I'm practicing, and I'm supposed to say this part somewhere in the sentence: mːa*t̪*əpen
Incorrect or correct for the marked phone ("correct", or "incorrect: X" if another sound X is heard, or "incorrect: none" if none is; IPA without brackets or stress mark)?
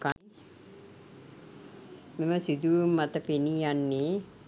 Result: correct